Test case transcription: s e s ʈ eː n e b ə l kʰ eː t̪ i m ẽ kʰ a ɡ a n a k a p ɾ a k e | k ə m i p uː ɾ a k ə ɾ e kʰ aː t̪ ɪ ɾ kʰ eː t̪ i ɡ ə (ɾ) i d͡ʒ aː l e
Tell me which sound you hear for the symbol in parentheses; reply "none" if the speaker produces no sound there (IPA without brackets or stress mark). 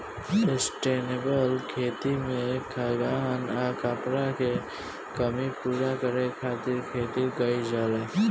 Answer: none